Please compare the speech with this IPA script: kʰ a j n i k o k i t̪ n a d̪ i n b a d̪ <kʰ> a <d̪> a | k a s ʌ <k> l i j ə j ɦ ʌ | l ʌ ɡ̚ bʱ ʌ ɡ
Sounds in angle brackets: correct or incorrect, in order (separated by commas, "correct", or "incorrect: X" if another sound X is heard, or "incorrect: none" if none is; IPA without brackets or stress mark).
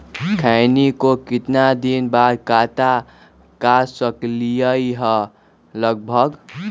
incorrect: k, incorrect: t̪, correct